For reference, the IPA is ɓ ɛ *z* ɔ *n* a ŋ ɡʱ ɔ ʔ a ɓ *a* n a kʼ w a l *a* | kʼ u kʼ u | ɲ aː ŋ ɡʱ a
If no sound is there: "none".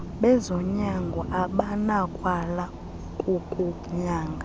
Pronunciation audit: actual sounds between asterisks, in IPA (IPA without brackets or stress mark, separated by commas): z, ɲ, a, a